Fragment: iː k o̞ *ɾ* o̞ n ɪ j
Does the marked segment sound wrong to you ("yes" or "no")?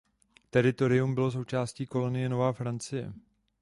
yes